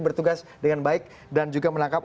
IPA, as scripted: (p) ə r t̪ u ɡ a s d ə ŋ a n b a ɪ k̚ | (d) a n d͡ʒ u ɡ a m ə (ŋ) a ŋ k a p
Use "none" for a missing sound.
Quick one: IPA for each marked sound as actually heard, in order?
b, d, n

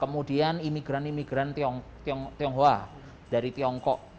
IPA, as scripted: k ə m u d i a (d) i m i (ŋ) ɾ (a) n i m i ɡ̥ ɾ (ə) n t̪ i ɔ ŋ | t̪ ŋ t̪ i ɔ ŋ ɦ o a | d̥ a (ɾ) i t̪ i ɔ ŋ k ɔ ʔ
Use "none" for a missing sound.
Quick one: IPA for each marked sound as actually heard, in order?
n, ɡ, a, a, ɾ

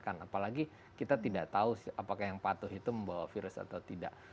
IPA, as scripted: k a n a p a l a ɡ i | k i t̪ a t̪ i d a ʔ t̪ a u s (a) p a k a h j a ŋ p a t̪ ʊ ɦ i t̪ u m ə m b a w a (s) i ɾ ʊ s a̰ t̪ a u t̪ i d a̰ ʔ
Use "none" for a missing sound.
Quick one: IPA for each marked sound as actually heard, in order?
a, f

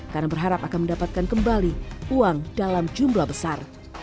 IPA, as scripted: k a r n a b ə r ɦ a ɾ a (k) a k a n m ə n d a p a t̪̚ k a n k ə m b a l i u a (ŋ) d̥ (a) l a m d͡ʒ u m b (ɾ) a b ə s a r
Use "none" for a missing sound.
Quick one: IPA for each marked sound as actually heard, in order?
p, ŋ, a, l

